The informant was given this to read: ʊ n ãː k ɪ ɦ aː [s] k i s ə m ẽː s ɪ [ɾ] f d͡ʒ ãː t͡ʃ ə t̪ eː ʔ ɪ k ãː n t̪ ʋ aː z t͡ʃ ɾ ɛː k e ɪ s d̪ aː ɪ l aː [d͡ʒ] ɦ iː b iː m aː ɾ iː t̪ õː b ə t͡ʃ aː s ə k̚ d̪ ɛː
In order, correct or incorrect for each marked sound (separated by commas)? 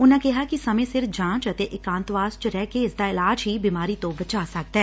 incorrect, correct, correct